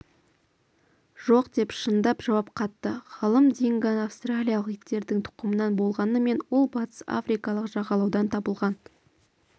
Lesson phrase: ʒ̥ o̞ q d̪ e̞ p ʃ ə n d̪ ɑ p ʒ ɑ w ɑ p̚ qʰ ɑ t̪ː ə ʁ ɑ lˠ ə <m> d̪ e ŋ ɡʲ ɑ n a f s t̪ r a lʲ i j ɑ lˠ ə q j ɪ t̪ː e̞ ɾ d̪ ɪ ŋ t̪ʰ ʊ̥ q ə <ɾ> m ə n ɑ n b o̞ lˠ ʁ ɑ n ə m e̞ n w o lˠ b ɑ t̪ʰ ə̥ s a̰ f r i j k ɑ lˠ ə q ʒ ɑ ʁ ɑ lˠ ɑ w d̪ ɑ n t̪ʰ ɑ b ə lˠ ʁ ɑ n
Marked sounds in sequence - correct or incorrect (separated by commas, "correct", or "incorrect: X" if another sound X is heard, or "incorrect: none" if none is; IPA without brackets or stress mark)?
correct, incorrect: none